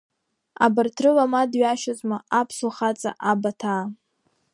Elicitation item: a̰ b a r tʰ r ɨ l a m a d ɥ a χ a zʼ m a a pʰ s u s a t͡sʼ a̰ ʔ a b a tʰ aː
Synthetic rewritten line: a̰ b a r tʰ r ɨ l a m a d ɥ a ʃ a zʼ m a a pʰ s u χ a t͡sʼ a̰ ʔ a b a tʰ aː